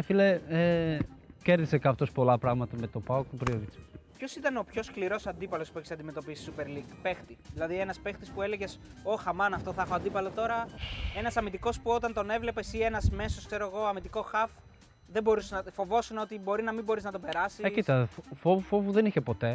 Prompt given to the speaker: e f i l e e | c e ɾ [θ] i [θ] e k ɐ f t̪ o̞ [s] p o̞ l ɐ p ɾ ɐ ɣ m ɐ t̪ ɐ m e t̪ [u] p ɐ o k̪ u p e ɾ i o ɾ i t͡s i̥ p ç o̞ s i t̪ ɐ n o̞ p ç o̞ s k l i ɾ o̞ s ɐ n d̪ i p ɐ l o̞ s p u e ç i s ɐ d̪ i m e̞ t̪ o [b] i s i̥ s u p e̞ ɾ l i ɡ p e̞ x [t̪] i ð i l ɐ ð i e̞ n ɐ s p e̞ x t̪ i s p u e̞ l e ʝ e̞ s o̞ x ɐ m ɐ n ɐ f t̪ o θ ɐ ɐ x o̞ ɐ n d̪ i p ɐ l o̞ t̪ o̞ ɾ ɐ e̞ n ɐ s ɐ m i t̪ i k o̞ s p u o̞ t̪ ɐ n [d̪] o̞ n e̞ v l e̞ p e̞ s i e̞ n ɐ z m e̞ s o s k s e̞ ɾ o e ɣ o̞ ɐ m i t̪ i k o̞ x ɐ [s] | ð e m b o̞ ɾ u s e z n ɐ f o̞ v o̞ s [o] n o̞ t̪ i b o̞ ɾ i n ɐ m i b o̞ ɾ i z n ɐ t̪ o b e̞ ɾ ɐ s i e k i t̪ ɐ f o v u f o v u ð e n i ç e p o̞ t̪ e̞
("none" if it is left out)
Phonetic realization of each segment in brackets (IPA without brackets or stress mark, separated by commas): ð, s, s, o, p, t̪, t̪, f, u